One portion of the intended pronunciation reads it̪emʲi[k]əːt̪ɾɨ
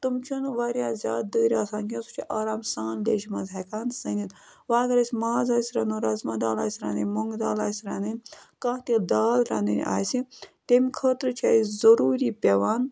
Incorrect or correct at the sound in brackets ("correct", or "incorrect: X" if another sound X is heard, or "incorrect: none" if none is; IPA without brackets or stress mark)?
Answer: incorrect: kʰ